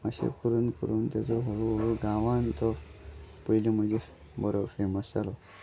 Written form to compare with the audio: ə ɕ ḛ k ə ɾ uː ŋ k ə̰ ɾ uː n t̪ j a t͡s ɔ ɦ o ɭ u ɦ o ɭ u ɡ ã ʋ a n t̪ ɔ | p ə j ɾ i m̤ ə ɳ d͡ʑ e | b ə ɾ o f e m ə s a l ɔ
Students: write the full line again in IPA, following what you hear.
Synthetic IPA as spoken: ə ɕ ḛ k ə ɾ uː n k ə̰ ɾ uː n t̪ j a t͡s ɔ ɦ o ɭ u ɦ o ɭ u ɡ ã ʋ a n t̪ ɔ | p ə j l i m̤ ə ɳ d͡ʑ e | b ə ɾ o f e m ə s a l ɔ

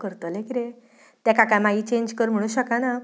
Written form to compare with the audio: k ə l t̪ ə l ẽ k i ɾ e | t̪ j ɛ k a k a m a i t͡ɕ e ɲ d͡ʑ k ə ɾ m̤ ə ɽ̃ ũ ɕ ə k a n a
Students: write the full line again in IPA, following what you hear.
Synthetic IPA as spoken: k ə ɾ t̪ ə l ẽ k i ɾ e | t̪ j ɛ k a k a m a i t͡ɕ e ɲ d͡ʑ k ə ɾ m̤ ə ɽ̃ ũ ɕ ə k a n a

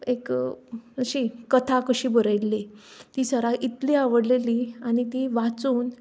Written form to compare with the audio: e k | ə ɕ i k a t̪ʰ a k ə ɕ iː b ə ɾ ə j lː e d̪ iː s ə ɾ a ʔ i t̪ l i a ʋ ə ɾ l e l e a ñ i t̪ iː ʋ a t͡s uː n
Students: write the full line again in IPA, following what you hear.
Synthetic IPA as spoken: e k | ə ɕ i k ə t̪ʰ a k ə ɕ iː b ə ɾ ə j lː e t̪ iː s ə ɾ a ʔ i t̪ l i a ʋ ə ɽ l e l i a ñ i t̪ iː ʋ a t͡s uː n

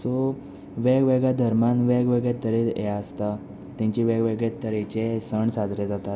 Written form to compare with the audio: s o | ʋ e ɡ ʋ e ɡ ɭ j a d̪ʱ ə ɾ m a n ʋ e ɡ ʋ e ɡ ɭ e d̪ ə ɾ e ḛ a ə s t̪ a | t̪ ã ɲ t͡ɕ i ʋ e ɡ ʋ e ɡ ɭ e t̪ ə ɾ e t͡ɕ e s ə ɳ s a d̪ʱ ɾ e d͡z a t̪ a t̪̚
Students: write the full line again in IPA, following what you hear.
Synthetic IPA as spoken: s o | ʋ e ɡ ʋ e ɡ ɭ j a d̪ʱ ə ɾ m a n ʋ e ɡ ʋ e ɡ ɭ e t̪ ə ɾ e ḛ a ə s t̪ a | t̪ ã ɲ t͡ɕ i ʋ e ɡ ʋ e ɡ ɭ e t̪ ə ɾ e t͡ɕ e s ə ɳ s a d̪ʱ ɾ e d͡z a t̪ a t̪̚

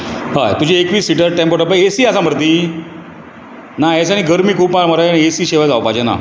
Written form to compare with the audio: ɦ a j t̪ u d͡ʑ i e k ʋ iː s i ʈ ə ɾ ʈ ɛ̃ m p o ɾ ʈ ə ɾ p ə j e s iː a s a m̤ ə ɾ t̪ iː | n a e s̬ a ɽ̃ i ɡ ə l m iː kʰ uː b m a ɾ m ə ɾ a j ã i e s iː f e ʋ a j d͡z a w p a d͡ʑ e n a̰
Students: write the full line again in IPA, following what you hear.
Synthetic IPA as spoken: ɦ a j t̪ u d͡ʑ i e k ʋ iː s i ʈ ə ɾ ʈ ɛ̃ m p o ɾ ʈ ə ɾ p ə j e s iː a s a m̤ ə ɾ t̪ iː | n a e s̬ a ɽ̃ i ɡ ə ɾ m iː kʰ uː p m a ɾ m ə ɾ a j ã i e s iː ɕ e ʋ a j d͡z a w p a d͡ʑ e n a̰

